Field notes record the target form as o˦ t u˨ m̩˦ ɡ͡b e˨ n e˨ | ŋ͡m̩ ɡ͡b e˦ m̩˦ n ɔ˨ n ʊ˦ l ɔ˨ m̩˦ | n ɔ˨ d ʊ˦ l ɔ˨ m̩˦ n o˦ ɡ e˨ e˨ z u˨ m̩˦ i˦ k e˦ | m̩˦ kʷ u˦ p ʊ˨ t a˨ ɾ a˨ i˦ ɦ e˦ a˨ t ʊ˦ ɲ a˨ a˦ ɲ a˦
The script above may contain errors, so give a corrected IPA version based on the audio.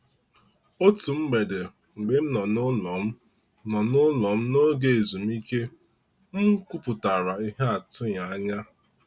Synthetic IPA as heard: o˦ t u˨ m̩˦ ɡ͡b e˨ d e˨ | ŋ͡m̩ ɡ͡b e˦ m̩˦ n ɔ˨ n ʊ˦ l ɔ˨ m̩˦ | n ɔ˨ n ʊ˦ l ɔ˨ m̩˦ n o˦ ɡ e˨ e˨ z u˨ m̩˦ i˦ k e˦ | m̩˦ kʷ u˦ p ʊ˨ t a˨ ɾ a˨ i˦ ɦ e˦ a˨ t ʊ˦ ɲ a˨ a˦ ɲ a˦

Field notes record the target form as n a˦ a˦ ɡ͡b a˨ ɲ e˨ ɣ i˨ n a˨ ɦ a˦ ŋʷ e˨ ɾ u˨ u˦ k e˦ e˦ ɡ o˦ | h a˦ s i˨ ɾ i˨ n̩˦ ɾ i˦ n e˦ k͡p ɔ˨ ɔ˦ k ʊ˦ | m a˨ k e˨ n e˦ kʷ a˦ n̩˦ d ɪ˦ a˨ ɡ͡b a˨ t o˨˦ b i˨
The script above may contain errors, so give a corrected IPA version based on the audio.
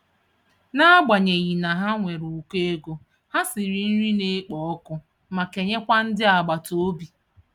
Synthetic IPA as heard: n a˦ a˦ ɡ͡b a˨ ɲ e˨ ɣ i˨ n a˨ ɦ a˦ ŋʷ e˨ ɾ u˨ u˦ k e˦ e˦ ɡ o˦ | h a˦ s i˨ ɾ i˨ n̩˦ ɾ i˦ n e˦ k͡p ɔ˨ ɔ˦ k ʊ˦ | m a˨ k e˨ ɲ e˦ kʷ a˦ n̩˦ d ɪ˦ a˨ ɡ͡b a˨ t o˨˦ b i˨

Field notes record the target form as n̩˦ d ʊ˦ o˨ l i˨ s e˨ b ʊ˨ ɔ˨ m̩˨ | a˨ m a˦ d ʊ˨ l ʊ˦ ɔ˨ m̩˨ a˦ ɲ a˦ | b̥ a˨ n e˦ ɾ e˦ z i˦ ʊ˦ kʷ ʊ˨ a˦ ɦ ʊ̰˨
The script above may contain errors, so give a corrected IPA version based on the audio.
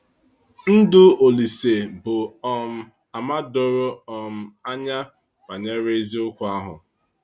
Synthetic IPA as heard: n̩˦ d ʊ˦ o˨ l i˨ s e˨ b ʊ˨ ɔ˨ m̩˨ | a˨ m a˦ d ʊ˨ ɾ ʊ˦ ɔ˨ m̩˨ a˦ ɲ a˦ | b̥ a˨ ɲ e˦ ɾ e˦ z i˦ ʊ˦ kʷ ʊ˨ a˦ ɦ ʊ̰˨

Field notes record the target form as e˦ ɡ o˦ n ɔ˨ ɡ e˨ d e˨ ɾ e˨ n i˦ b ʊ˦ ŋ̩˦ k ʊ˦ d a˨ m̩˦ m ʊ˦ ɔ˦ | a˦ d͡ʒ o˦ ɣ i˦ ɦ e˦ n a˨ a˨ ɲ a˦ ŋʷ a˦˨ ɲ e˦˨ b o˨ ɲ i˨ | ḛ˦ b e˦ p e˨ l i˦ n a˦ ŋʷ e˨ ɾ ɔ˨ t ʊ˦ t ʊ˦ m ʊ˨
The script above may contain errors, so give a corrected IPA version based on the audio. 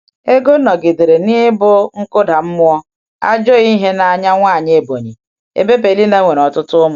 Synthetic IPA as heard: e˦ ɡ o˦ n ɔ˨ ɡ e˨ d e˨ ɾ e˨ n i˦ b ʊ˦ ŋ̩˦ k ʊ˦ d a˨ m̩˦ m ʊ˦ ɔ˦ | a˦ d͡ʒ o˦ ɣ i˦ ɦ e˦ n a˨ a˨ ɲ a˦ ŋʷ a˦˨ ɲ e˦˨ b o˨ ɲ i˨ | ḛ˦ b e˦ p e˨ l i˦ n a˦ ŋʷ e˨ ɾ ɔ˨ t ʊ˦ t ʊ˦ m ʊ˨

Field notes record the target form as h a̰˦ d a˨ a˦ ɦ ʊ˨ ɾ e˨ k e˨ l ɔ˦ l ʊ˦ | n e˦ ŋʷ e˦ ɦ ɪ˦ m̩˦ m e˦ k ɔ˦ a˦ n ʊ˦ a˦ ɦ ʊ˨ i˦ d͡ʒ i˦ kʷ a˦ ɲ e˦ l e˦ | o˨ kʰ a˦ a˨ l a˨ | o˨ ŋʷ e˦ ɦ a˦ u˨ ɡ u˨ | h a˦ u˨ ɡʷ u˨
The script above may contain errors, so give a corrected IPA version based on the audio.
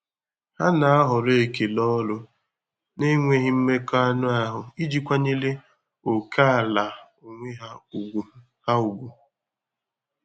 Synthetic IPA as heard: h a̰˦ n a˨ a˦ ɦ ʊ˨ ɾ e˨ k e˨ l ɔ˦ l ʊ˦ | n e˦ ŋʷ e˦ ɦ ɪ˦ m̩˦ m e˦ k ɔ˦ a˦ n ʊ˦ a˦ ɦ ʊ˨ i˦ d͡ʒ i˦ kʷ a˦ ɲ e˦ l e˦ | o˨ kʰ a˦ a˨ l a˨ | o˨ ŋʷ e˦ ɦ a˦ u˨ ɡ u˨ | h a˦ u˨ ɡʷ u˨

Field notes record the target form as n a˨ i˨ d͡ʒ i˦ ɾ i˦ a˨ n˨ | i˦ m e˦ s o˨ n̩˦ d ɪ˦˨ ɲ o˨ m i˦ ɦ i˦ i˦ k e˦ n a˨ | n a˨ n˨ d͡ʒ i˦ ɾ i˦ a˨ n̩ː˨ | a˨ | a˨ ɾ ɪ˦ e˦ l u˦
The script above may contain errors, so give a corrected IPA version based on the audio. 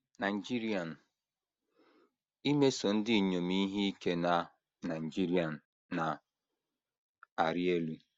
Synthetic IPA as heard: n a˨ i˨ d͡ʒ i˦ ɾ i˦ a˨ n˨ | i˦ m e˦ s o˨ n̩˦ d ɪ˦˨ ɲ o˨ m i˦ ɦ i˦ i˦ k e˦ n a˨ | n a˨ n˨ d͡ʒ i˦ ɾ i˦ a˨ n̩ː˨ | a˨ | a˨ ɾ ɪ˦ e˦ l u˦

